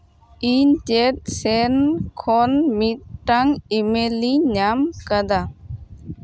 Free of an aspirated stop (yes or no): no